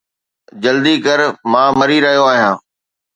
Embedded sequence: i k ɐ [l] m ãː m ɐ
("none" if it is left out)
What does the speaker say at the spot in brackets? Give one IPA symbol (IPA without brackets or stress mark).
ɾ